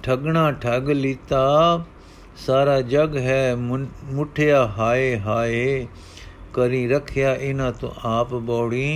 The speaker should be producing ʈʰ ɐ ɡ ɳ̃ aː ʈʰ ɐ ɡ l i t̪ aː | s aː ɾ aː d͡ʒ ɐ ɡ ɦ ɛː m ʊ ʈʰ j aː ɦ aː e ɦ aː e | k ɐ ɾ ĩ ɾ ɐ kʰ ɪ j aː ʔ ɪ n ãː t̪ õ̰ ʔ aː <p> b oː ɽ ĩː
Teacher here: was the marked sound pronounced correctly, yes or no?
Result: yes